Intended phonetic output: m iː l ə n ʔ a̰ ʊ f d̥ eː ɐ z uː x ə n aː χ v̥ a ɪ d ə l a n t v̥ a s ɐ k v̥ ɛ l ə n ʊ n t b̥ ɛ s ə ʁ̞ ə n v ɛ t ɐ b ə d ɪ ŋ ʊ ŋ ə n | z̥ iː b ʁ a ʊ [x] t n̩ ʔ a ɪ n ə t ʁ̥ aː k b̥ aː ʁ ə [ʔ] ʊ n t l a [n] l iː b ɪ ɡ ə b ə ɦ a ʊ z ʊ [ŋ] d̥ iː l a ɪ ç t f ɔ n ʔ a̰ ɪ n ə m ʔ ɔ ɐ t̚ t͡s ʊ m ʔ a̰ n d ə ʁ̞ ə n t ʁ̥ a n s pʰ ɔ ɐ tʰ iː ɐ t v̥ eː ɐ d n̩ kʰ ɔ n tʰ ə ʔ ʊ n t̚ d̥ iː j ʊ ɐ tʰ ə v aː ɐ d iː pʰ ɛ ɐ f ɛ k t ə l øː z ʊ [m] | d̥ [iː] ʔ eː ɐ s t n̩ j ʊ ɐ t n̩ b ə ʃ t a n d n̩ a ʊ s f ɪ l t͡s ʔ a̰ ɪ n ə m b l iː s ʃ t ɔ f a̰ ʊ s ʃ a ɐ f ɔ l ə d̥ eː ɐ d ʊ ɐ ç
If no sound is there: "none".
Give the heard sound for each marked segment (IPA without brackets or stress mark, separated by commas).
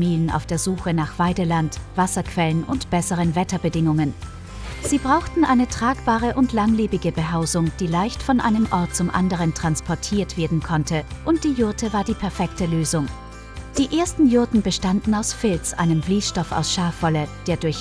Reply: x, ʔ, ŋ, ŋ, ŋ, iː